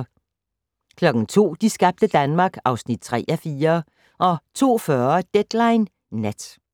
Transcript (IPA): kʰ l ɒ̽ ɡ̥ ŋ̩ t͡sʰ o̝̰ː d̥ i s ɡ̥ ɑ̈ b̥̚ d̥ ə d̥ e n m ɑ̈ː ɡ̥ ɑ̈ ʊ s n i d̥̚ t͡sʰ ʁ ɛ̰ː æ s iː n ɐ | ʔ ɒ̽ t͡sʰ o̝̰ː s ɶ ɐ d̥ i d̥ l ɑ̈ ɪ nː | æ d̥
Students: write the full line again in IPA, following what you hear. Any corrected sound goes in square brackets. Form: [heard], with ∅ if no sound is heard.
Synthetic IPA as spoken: kʰ l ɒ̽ ɡ̥ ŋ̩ t͡sʰ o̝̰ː d̥ i s ɡ̥ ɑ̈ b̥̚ d̥ ə d̥ [æ] n m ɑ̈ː ɡ̥ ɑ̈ ʊ s n i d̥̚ t͡sʰ ʁ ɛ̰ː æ [f] iː [∅] ɐ | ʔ ɒ̽ t͡sʰ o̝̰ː [f] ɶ ɐ d̥ [e] d̥ l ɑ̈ ɪ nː | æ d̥